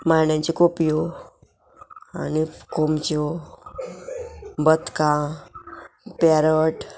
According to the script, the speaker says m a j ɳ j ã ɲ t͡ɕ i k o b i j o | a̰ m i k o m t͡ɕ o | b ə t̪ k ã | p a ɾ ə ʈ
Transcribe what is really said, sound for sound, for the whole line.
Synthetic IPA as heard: m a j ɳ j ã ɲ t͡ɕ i k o p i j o | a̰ n i k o m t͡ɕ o | b ə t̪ k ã | p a ɾ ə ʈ